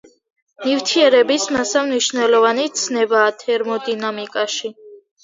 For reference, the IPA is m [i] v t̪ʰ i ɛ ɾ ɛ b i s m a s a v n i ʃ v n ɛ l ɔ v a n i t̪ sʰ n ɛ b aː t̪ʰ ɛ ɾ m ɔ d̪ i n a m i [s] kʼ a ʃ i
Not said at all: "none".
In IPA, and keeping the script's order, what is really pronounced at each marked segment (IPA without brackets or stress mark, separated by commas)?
i, none